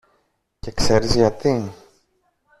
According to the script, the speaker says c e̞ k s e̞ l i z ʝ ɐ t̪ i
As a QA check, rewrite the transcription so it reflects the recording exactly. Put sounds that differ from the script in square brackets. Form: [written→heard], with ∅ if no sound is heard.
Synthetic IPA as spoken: c e̞ k s e̞ [l→ɾ] i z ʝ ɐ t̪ i